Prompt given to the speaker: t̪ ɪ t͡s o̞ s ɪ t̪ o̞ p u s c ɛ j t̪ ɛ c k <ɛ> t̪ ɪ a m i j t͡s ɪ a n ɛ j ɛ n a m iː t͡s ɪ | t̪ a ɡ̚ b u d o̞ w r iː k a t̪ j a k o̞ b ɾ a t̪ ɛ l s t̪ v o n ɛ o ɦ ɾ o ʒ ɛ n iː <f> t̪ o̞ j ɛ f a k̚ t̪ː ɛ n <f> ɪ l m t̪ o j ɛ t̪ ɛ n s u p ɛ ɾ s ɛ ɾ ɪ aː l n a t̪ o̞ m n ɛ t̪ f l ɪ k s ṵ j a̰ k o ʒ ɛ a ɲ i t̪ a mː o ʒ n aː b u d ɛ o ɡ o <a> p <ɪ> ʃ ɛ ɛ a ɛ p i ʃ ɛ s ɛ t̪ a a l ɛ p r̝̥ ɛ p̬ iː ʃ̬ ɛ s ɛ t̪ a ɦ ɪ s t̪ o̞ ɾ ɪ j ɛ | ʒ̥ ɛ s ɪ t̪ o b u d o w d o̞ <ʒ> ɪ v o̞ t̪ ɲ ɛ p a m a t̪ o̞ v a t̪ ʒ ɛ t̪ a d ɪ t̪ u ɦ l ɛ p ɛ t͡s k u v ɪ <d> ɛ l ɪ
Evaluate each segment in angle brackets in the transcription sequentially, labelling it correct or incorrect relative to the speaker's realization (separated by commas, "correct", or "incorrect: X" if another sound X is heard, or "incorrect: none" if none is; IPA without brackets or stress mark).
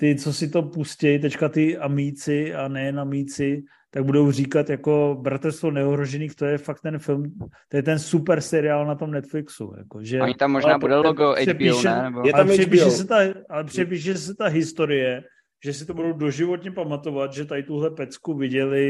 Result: incorrect: a, incorrect: x, correct, incorrect: ɛ, incorrect: i, correct, incorrect: ɟ